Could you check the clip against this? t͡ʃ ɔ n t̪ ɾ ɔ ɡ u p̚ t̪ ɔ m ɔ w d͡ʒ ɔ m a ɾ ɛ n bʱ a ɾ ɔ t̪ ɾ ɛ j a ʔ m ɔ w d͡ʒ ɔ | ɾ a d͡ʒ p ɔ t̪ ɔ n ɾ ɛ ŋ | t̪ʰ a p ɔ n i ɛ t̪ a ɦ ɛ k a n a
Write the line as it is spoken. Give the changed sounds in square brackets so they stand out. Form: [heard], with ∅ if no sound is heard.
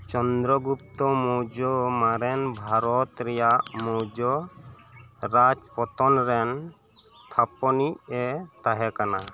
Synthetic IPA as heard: t͡ʃ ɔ n [d̪] ɾ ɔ ɡ u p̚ t̪ ɔ m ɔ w d͡ʒ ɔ m a ɾ ɛ n bʱ a ɾ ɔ t̪ ɾ ɛ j a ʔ m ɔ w d͡ʒ ɔ | ɾ a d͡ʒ p ɔ t̪ ɔ n ɾ ɛ [n] | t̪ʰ a p ɔ n i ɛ t̪ a ɦ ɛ k a n a